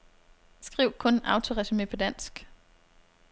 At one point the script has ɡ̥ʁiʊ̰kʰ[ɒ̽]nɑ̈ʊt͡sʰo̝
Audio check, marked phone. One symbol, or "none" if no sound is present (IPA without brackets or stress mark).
ɔ̽